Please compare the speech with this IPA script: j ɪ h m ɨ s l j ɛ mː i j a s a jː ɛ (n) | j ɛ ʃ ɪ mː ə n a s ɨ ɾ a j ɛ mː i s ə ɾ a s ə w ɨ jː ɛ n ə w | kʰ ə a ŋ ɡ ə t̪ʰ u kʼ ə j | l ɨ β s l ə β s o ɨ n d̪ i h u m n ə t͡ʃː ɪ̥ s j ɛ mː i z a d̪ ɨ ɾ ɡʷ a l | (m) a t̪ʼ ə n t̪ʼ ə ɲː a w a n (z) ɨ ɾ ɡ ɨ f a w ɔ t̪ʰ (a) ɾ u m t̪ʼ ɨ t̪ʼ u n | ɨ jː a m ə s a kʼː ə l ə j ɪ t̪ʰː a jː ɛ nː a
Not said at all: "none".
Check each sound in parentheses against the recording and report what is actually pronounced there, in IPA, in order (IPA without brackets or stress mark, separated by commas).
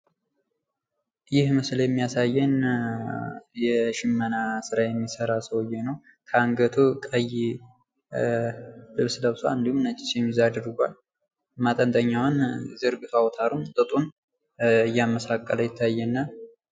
n, m, z, a